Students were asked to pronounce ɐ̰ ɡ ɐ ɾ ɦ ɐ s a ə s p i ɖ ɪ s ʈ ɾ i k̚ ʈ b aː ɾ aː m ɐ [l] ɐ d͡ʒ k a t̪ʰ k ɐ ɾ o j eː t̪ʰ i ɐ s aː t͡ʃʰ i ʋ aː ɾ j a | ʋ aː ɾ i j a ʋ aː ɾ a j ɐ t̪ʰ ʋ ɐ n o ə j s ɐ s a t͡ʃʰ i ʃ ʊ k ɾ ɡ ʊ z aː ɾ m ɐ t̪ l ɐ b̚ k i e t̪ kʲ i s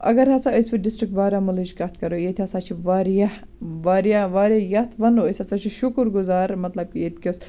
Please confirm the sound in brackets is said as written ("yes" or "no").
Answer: yes